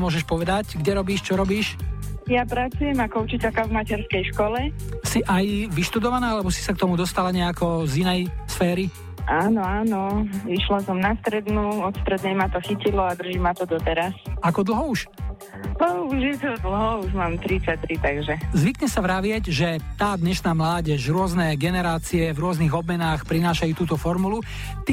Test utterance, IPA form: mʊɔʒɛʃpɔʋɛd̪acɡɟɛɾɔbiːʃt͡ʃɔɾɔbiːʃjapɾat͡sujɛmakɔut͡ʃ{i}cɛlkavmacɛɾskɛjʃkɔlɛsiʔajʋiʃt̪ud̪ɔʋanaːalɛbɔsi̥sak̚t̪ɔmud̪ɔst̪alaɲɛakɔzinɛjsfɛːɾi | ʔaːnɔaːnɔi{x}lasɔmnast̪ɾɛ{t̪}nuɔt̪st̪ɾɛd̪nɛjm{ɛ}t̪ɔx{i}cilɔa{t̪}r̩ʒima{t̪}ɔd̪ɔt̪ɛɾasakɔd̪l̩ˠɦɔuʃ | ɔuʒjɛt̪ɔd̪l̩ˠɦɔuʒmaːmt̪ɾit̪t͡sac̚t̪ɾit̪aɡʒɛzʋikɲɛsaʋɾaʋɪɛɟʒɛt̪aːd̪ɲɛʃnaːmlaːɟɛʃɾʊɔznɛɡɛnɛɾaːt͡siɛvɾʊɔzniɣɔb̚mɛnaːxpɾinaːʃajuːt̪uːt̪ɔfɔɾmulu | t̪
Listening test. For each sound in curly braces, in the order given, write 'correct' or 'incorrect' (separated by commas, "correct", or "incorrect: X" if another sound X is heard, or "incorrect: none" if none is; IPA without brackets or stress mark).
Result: correct, incorrect: ʃ, incorrect: d̪, incorrect: a, correct, incorrect: d̪, correct